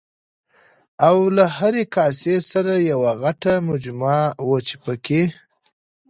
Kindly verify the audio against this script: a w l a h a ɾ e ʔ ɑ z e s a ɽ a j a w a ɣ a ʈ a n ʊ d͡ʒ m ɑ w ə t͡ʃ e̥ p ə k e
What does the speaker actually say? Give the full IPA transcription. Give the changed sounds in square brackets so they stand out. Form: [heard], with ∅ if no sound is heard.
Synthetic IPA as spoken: a w l a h a ɾ e [k] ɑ [s] e s a [ɾ] a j a w a ɣ a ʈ a [m] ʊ d͡ʒ m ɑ w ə t͡ʃ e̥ p ə k e